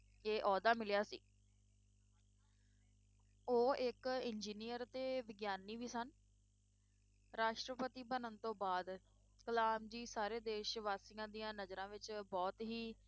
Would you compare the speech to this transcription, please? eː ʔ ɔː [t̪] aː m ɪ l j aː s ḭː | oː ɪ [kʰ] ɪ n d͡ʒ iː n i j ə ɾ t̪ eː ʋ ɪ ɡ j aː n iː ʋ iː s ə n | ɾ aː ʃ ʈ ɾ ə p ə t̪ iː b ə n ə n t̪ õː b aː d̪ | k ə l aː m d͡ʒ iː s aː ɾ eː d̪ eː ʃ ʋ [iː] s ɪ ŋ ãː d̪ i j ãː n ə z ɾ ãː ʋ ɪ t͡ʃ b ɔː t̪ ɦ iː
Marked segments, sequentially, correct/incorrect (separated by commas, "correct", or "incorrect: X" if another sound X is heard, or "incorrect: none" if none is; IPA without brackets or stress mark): incorrect: d̪, incorrect: k, incorrect: aː